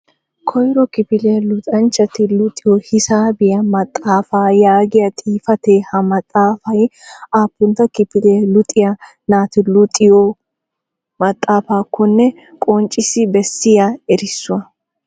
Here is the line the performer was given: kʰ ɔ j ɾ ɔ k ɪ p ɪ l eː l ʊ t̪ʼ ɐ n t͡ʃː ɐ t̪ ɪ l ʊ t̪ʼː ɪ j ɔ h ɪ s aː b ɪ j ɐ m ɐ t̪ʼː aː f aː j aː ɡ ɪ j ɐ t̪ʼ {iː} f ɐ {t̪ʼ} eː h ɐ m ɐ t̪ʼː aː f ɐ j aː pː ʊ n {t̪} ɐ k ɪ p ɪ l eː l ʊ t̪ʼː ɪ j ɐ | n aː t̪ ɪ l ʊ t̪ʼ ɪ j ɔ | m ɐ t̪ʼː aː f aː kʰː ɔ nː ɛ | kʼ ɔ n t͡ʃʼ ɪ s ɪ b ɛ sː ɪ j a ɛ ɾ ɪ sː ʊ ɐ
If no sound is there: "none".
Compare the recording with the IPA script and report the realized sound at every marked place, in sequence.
iː, t̪, t̪

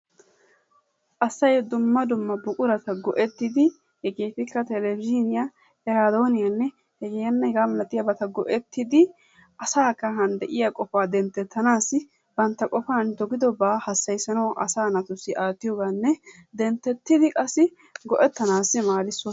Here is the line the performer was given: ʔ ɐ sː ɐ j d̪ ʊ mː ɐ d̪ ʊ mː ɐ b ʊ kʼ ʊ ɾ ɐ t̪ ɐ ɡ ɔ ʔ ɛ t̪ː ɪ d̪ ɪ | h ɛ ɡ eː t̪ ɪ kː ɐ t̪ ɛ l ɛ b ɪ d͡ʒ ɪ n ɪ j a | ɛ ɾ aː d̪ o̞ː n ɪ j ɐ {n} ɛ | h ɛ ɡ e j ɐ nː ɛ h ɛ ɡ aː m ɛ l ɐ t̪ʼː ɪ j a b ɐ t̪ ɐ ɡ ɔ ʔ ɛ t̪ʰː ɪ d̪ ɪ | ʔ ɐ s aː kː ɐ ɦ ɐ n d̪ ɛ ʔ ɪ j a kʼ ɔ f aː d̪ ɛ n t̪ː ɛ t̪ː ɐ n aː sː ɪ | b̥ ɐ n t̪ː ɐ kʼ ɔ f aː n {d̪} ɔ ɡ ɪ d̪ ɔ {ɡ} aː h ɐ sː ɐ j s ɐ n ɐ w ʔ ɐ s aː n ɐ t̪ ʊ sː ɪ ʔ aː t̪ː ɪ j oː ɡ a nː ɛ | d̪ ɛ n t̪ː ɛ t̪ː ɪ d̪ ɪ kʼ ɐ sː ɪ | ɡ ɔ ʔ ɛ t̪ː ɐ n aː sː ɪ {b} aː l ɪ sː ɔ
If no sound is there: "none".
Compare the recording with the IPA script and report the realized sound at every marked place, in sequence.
nː, d̪, b, m

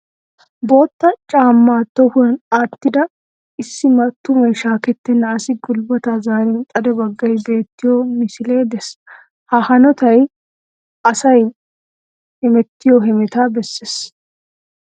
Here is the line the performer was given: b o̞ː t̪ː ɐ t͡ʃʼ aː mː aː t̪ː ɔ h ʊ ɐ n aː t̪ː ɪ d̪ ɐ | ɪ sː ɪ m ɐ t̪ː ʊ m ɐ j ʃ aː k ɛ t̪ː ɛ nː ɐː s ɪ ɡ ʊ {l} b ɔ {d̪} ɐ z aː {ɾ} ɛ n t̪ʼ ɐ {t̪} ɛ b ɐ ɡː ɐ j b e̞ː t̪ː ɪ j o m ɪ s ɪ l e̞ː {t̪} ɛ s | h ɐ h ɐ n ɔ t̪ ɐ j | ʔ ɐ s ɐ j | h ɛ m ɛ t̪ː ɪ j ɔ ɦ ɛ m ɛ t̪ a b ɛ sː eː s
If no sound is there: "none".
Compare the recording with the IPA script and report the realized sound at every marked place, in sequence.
l, t̪, ɾ, d̪, d̪

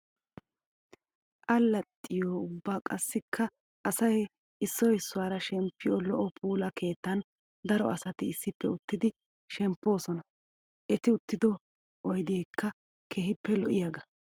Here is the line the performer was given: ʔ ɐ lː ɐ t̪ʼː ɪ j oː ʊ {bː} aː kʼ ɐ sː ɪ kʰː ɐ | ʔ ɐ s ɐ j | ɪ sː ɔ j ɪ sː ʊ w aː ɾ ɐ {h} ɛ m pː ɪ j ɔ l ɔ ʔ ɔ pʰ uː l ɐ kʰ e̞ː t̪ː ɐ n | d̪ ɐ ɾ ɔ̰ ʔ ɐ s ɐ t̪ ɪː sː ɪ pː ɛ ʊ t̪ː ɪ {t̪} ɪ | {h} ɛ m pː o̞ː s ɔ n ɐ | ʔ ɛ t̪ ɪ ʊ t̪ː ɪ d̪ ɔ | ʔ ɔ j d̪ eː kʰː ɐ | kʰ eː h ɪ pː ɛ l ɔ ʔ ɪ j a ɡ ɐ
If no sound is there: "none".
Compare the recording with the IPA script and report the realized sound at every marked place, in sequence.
bː, ʃ, d̪, ʃ

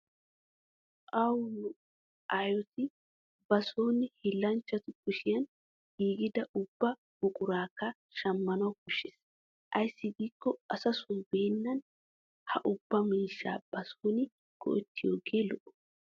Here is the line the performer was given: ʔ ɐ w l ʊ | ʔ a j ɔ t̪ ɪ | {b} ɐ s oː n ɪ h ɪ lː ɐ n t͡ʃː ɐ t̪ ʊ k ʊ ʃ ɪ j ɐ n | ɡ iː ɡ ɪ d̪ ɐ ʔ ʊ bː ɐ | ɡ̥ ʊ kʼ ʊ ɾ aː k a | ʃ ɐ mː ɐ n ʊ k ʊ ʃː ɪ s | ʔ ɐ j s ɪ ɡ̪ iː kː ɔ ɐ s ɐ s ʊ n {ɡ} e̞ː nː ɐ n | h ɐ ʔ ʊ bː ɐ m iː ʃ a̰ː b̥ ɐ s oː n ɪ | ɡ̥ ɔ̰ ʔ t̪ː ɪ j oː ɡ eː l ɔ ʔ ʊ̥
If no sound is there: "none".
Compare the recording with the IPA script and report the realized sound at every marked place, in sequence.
b, b

